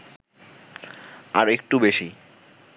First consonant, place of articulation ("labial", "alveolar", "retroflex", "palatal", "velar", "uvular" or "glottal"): alveolar